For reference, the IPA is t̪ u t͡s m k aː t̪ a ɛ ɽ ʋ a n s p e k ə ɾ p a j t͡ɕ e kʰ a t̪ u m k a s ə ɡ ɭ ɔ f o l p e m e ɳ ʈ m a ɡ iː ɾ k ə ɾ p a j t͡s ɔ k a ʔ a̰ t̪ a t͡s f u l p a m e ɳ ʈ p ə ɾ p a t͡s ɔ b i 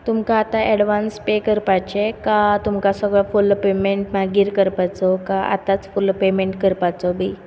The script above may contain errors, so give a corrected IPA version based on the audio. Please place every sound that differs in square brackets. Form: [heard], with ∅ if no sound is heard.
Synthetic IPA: t̪ u [∅] m k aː t̪ a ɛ ɽ ʋ a n s p e k ə ɾ p a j t͡ɕ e [k] a t̪ u m k a s ə ɡ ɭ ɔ f [u] l p e m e ɳ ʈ m a ɡ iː ɾ k ə ɾ p a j t͡s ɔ k a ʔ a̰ t̪ a t͡s f u l p [e] m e ɳ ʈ [k] ə ɾ p a t͡s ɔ b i